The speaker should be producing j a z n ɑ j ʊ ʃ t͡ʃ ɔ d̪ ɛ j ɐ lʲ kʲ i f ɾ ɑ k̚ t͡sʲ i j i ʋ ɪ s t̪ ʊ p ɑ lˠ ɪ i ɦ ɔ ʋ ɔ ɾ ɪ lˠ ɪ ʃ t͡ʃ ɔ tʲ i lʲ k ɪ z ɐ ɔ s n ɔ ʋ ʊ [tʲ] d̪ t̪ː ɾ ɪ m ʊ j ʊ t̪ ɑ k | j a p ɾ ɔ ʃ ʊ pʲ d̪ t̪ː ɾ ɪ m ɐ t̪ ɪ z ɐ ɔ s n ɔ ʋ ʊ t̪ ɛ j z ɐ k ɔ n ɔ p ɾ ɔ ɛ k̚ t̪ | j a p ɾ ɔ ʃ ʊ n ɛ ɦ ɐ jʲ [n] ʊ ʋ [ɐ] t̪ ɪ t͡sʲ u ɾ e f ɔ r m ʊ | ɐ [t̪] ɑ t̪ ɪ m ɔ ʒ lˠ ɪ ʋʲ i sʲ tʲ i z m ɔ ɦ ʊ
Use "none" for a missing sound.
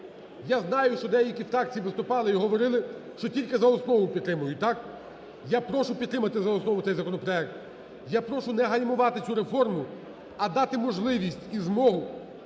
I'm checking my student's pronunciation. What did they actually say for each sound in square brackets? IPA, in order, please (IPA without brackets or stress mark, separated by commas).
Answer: pʲ, m, ɑ, d̪